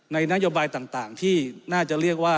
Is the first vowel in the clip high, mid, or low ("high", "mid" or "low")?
low